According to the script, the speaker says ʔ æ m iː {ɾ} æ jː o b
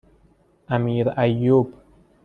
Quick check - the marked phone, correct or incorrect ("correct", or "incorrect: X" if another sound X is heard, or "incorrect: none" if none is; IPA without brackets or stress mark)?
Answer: correct